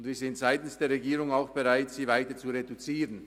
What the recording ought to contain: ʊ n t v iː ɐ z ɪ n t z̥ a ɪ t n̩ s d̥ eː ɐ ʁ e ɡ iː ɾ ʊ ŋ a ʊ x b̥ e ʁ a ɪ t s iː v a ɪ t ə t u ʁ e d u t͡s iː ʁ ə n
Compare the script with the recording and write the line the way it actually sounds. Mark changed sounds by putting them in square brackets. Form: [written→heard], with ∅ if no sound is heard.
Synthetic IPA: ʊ n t v iː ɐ z ɪ n t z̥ a ɪ t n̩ s d̥ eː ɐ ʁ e ɡ iː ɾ ʊ ŋ a ʊ x b̥ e ʁ a ɪ t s iː v a ɪ t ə [t→t͡s] u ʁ e d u t͡s iː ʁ ə n